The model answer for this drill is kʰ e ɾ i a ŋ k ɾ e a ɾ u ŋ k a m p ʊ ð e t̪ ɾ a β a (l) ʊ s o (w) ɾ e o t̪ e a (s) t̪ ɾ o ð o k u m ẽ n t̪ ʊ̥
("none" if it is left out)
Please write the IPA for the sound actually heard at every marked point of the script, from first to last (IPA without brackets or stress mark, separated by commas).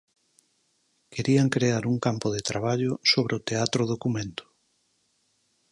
ʎ, β, none